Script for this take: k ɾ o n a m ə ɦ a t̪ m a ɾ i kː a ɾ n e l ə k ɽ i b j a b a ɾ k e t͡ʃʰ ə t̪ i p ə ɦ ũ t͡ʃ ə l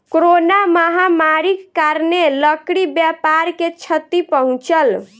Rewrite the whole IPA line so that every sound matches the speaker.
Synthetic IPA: k ɾ o n a m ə ɦ a m a ɾ i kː a ɾ n e l ə k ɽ i b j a p a ɾ k e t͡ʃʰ ə t̪ i p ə ɦ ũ t͡ʃ ə l